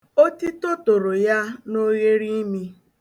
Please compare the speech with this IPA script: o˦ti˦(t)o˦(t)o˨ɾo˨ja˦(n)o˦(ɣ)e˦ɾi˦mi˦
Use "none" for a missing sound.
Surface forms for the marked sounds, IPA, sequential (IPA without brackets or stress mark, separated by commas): t, t, n, ɣ